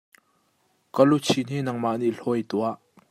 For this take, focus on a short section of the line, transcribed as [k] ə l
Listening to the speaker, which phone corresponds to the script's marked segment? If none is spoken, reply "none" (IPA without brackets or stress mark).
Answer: k